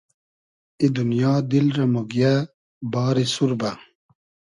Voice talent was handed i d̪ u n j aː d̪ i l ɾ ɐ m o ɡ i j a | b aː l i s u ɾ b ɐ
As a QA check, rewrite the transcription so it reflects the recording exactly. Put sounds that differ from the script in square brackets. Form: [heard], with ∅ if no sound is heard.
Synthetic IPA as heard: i d̪ u n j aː d̪ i l ɾ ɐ m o ɡ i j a | b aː [ɾ] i s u ɾ b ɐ